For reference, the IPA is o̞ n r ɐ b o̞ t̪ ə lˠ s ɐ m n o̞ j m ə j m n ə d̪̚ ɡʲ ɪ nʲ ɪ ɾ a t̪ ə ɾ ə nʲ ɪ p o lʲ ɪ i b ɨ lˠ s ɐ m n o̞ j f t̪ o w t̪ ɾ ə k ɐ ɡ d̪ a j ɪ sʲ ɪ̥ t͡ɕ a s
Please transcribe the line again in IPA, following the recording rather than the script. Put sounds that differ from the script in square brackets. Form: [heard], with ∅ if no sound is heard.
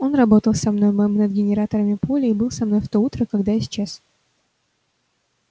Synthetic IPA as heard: o̞ n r ɐ b o̞ t̪ ə lˠ s ɐ m n o̞ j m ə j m n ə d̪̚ ɡʲ ɪ nʲ ɪ ɾ a t̪ ə ɾ ə [mʲ] ɪ p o lʲ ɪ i b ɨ lˠ s ɐ m n o̞ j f t̪ o [u] t̪ ɾ ə k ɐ ɡ d̪ a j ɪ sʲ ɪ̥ t͡ɕ a s